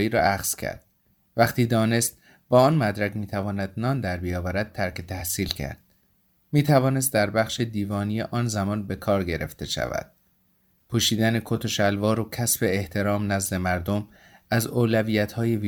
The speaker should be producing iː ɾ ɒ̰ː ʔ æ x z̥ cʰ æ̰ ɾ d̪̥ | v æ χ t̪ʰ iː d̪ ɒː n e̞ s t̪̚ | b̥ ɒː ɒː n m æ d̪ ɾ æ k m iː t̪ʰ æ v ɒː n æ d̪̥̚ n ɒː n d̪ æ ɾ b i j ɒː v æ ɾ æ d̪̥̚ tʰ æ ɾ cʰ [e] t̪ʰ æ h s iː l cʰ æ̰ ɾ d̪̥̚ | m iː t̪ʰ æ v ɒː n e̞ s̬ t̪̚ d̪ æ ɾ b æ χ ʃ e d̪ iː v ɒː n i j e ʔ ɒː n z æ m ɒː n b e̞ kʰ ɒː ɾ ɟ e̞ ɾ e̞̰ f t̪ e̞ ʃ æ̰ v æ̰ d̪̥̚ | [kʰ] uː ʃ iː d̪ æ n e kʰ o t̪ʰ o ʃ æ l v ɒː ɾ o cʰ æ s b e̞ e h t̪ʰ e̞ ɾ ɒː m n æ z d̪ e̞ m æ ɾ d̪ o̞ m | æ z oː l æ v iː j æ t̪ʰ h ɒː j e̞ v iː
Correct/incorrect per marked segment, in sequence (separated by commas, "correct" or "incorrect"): correct, incorrect